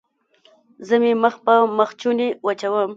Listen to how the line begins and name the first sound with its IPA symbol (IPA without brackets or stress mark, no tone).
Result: z